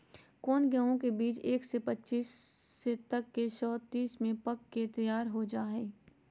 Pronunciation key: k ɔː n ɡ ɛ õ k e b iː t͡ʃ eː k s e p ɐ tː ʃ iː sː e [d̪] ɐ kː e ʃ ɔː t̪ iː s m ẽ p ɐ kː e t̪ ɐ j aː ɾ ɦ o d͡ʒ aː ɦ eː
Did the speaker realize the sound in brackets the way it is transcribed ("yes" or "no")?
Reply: no